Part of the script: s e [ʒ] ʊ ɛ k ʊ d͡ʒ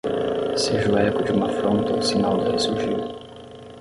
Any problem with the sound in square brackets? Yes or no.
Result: no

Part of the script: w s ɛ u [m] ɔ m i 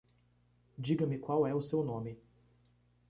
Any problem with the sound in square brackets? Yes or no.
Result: yes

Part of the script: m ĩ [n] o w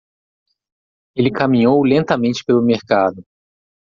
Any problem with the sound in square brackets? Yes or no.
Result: yes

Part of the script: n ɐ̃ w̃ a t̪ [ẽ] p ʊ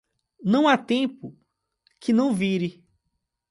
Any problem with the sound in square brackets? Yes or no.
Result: no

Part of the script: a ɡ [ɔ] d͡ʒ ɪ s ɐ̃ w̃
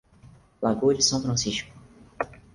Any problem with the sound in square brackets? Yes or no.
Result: yes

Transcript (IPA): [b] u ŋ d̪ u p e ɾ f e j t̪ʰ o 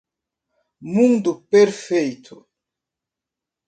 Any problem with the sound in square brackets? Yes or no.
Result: yes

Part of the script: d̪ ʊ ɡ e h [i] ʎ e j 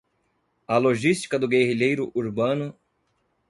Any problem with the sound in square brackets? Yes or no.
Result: no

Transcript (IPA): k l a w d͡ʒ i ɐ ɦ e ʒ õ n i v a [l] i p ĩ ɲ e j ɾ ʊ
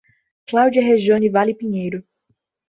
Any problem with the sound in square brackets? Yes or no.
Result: no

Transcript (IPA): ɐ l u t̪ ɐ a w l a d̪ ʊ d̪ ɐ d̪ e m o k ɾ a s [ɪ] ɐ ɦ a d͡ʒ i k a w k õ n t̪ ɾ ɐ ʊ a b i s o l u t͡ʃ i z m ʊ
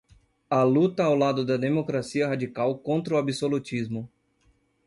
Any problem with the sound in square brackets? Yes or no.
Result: yes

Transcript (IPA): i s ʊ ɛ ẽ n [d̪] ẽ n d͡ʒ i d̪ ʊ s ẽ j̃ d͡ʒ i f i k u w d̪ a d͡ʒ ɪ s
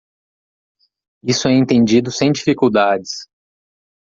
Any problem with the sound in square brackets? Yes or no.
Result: yes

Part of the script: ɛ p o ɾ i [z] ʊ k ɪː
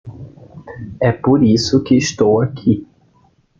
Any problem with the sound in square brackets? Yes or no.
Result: yes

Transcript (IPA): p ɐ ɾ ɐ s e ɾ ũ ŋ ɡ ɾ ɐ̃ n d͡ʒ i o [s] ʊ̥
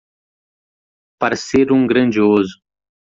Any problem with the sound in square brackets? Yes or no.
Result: yes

